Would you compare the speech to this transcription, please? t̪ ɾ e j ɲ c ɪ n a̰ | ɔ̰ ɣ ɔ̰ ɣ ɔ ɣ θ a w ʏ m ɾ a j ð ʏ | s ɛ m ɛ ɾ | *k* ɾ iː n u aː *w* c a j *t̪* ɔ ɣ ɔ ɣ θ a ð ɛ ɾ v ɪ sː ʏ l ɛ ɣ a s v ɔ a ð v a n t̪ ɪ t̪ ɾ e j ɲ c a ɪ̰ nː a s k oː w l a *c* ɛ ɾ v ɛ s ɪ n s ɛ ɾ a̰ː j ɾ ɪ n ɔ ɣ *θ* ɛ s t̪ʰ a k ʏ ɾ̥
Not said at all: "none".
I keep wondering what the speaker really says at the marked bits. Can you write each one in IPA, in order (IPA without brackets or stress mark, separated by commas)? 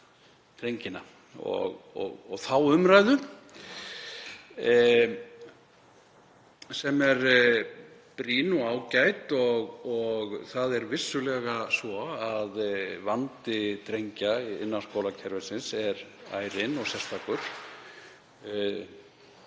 p, w, t̪, cʰ, s